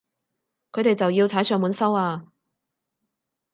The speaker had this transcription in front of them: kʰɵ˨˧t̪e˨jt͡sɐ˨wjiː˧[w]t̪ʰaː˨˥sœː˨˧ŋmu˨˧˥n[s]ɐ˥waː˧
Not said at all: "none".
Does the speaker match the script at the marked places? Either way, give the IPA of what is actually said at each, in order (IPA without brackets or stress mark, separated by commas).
w, s